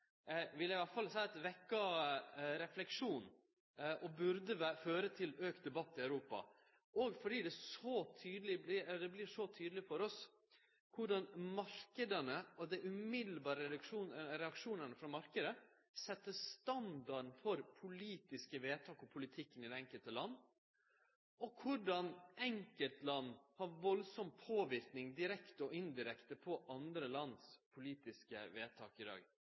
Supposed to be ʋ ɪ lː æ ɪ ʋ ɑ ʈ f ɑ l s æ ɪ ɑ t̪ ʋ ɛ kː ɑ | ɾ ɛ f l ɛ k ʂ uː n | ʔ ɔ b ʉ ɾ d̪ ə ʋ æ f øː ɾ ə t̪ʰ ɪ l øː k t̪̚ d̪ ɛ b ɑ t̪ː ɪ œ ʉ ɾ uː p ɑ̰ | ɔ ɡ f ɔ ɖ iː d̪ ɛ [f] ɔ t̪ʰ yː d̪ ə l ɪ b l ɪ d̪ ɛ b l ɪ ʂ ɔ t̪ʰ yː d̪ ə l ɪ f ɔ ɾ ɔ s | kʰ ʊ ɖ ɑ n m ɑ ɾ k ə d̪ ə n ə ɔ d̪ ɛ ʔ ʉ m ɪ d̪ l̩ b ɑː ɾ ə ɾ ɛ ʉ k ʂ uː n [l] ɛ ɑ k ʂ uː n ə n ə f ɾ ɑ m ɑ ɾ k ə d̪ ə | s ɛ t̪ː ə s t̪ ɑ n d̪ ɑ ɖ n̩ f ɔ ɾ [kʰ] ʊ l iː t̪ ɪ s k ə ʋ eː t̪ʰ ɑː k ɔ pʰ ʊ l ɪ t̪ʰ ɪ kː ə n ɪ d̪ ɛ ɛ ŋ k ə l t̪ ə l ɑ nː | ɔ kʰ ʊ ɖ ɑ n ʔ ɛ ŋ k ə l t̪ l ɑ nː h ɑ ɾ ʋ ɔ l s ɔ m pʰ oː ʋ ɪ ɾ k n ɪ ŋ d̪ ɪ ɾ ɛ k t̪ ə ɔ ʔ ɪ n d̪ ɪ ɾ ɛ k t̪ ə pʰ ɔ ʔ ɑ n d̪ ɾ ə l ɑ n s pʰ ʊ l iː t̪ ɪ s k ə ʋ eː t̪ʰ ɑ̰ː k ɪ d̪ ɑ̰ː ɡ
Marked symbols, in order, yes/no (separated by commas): no, no, no